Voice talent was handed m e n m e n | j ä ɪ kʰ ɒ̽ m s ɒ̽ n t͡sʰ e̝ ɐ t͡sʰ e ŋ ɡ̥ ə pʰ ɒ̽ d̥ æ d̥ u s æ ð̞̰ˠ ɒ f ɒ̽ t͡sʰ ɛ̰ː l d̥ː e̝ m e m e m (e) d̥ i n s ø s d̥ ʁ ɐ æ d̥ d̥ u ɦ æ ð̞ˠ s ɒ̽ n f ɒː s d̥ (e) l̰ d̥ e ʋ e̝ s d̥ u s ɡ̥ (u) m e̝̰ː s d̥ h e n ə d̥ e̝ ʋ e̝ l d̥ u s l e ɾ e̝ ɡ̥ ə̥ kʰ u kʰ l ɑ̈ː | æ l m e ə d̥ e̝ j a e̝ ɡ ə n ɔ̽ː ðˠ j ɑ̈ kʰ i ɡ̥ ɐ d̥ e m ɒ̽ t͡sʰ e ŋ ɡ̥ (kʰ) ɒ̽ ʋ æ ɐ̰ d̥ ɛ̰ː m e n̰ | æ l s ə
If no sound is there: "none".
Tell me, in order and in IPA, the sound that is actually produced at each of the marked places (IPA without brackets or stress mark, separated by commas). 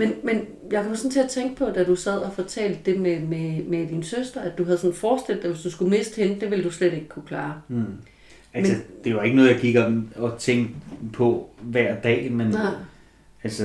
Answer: e, e, u, pʰ